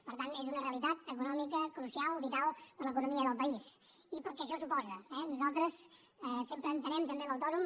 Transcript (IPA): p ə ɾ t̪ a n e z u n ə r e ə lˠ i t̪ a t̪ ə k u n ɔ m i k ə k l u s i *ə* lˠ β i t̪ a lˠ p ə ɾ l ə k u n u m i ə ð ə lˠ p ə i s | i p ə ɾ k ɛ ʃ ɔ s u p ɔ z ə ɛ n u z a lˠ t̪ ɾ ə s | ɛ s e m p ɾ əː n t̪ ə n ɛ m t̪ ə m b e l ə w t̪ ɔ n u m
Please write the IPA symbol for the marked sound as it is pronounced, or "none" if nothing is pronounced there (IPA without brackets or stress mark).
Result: a